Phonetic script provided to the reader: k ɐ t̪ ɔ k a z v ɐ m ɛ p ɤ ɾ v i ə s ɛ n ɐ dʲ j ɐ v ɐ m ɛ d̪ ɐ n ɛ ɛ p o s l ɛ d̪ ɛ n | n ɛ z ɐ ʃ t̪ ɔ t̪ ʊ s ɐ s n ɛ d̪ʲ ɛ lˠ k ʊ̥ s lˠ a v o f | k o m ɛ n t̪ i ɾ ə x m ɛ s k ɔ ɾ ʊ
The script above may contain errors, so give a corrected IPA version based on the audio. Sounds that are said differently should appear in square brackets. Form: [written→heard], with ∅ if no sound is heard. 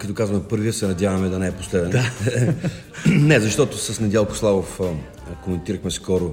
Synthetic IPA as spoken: k ɐ t̪ ɔ k a z v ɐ m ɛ p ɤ ɾ v i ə s ɛ n ɐ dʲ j [ɐ→a] v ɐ m ɛ d̪ ɐ n ɛ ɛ p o s l ɛ d̪ ɛ n | n ɛ z ɐ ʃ t̪ ɔ t̪ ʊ s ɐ s n ɛ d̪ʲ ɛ lˠ k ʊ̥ s lˠ a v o f | k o m ɛ n t̪ i ɾ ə x m ɛ s k ɔ ɾ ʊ